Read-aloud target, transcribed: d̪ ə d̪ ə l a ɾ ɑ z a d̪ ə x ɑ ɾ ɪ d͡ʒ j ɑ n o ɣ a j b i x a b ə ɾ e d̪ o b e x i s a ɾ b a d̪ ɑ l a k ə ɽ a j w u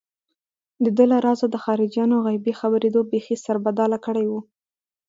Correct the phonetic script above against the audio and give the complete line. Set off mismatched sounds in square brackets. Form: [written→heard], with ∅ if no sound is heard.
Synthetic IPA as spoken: d̪ ə d̪ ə l a ɾ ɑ z a d̪ ə x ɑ ɾ ɪ d͡ʒ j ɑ n o ɣ a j b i x a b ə ɾ e d̪ o b e x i s a ɾ b a d̪ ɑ l a k ə ɽ a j w u